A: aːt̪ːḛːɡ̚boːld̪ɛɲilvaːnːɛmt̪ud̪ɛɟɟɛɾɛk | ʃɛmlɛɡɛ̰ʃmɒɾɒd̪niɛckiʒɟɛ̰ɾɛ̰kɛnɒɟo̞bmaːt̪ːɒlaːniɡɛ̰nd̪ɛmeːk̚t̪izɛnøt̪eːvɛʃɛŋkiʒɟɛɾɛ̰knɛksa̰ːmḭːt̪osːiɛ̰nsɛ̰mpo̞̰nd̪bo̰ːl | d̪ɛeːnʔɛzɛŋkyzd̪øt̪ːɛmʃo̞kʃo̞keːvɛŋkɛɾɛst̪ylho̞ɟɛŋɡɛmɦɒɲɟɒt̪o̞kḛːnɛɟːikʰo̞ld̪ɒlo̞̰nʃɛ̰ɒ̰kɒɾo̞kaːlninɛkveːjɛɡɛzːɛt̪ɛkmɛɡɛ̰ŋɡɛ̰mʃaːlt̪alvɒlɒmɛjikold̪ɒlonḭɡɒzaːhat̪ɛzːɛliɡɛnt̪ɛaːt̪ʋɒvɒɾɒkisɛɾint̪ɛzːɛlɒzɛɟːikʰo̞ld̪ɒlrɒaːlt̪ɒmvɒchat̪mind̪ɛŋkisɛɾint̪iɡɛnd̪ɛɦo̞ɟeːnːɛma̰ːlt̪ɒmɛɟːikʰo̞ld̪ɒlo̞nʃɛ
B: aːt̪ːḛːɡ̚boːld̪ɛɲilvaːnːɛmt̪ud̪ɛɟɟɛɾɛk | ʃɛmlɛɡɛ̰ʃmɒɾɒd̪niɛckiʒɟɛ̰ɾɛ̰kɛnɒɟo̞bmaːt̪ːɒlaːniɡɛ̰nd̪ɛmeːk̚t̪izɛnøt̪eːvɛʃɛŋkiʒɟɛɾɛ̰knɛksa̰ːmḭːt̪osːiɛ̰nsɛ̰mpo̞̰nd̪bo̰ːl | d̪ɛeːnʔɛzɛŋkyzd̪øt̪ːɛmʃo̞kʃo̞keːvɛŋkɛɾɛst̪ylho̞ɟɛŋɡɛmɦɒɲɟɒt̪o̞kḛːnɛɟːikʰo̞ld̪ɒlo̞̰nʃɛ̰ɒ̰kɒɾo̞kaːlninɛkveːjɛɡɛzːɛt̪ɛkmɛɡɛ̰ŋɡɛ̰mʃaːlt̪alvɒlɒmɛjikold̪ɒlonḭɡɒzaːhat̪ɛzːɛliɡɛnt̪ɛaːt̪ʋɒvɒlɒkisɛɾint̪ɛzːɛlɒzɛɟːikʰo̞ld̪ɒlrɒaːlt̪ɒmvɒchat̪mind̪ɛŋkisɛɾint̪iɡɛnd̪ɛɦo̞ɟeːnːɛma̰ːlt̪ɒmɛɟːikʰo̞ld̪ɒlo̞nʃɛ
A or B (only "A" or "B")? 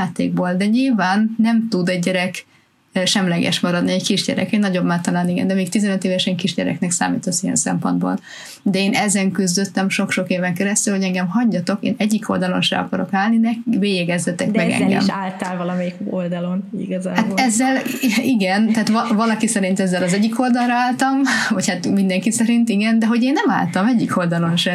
B